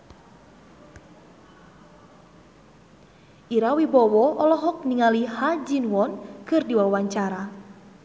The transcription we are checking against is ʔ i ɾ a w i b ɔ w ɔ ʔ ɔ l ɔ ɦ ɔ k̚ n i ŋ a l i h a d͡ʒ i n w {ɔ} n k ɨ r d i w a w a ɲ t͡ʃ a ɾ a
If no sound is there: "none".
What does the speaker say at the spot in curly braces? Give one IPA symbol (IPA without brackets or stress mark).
ɔ